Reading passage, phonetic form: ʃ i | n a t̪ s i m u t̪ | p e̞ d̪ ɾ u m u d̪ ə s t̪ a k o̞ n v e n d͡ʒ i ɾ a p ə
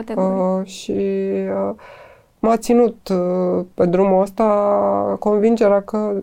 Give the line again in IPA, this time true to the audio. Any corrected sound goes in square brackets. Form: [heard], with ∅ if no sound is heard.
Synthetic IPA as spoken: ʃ i | [m] a t̪ s i [n] u t̪ | p e̞ d̪ ɾ u m u [∅] ə s t̪ a k o̞ n v [i] n d͡ʒ [e] ɾ a [k] ə